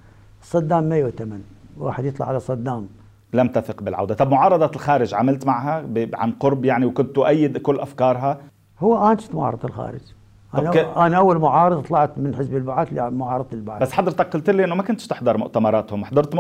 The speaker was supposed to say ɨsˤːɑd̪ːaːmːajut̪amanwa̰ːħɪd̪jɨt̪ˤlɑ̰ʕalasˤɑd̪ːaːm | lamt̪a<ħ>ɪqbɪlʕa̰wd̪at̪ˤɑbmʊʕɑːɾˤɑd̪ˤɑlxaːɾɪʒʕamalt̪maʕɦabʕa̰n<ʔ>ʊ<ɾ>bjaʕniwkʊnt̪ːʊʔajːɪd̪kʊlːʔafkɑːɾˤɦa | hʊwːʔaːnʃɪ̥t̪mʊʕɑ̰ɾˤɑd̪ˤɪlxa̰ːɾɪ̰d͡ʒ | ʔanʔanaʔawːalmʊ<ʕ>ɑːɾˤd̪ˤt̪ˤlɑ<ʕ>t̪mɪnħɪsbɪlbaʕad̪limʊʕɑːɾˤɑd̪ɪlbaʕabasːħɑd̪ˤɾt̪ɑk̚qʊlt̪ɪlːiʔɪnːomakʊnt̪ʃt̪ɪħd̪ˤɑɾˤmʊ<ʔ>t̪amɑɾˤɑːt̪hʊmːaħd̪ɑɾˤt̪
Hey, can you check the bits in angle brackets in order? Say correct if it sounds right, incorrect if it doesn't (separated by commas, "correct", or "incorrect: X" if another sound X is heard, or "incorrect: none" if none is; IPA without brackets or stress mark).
incorrect: θ, incorrect: q, correct, correct, correct, correct